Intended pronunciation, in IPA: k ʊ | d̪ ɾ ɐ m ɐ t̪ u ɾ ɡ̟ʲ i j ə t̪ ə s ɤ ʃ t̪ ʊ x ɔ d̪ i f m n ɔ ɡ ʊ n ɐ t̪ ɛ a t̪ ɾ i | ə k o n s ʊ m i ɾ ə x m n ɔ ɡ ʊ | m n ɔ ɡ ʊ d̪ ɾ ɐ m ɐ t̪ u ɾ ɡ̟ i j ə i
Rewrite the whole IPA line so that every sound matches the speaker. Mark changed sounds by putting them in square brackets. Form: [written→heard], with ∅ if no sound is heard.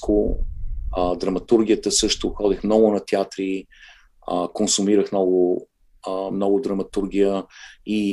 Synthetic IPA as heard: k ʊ | d̪ ɾ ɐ m ɐ t̪ u ɾ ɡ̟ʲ i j ə t̪ ə s ɤ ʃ t̪ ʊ x ɔ d̪ i [f→x] m n ɔ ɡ ʊ n ɐ t̪ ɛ a t̪ ɾ i | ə k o n s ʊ m i ɾ ə x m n ɔ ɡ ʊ | m n ɔ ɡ ʊ d̪ ɾ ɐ m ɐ t̪ u ɾ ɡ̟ i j ə i